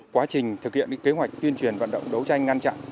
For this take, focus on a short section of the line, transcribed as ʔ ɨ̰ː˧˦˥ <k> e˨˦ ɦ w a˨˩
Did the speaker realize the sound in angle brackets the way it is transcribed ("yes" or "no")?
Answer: yes